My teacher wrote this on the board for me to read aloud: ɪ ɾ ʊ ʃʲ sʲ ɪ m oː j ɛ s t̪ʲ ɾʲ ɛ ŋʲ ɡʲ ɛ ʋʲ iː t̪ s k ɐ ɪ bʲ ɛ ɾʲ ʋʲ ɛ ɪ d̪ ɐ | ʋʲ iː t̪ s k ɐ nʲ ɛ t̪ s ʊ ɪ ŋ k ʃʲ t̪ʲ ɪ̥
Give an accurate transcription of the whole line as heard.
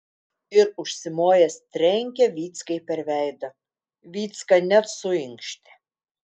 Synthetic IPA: ɪ ɾ ʊ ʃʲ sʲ ɪ m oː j ɛ s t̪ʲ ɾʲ ɛ ŋʲ kʲ ɛ ʋʲ iː t̪ s k ɐ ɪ pʲ ɛ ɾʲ ʋʲ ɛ ɪ d̪ ɐ | ʋʲ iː t̪ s k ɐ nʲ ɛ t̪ s ʊ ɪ ŋ k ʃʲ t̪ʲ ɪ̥